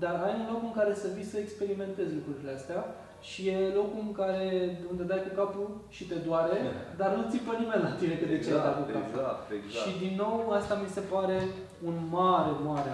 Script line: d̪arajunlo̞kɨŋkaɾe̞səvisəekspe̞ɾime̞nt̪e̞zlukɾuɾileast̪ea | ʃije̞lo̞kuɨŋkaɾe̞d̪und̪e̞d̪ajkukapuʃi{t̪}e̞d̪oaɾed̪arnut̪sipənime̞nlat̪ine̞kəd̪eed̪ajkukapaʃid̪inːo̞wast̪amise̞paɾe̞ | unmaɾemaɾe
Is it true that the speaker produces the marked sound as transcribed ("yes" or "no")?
yes